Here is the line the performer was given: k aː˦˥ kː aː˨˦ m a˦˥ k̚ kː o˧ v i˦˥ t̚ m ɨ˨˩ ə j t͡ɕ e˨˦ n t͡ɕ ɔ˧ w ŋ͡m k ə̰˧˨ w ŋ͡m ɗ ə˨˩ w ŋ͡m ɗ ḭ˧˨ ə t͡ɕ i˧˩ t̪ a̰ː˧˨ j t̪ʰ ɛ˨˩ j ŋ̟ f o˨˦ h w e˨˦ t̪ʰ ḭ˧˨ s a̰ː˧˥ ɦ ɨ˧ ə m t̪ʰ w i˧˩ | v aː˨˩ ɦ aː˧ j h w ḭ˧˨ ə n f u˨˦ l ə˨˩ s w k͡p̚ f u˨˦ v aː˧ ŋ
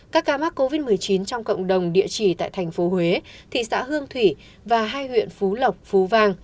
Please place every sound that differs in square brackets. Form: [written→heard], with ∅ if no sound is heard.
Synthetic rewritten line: k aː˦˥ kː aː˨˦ m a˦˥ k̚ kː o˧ v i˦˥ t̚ m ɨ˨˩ ə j t͡ɕ [e˨˦→i˨˦] n t͡ɕ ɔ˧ w ŋ͡m k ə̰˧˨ w ŋ͡m ɗ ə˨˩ w ŋ͡m ɗ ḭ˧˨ ə t͡ɕ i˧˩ t̪ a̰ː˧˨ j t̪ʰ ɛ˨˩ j ŋ̟ f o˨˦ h w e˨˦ t̪ʰ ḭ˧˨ s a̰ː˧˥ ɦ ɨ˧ ə [m→ŋ] t̪ʰ w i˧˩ | v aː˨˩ ɦ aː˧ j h w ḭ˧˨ ə n f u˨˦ l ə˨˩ [s→∅] w k͡p̚ f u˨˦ v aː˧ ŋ